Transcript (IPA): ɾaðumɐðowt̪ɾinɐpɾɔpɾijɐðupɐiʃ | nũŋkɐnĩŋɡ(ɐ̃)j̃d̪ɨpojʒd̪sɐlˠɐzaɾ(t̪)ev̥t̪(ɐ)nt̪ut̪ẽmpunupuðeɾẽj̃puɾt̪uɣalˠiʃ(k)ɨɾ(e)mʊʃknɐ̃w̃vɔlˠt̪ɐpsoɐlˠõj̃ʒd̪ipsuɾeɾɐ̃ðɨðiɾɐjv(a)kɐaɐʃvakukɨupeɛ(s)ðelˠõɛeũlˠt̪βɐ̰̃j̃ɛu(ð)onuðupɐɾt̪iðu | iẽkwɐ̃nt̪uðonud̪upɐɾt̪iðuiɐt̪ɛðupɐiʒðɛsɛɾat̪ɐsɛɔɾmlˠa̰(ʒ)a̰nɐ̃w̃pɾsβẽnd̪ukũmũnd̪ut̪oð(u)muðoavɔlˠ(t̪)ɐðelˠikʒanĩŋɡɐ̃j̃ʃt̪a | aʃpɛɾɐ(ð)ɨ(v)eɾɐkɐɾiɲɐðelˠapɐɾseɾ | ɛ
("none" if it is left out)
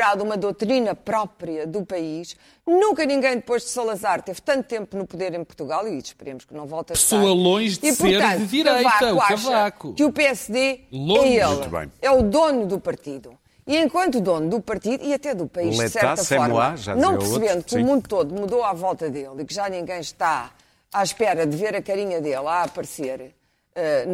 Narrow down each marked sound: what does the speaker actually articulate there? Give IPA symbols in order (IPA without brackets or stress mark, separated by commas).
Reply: ɐ̃, t̪, ɐ̃, p, e, a, s, ð, ʒ, u, t̪, ð, v